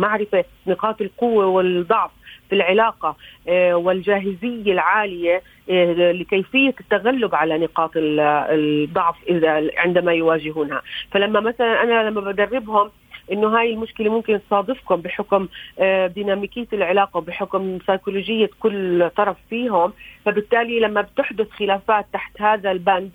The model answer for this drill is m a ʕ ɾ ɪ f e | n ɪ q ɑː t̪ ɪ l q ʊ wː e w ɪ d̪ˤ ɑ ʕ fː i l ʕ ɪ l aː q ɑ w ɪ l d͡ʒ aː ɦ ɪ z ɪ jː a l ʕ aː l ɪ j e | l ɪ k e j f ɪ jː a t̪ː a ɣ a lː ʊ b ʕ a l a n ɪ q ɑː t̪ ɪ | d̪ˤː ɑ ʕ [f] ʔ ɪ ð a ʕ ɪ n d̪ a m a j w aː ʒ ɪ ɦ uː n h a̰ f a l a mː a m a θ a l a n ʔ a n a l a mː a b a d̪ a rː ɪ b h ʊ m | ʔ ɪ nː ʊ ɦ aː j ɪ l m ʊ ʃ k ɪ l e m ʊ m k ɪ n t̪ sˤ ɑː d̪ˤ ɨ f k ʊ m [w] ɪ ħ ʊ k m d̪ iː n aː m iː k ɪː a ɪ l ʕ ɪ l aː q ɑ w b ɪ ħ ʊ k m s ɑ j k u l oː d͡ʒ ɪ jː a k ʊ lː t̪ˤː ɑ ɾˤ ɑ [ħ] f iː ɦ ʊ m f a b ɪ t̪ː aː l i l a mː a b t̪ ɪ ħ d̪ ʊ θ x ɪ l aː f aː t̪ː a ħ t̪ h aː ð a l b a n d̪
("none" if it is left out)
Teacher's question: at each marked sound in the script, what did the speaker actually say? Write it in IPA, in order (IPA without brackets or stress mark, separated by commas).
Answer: f, b, f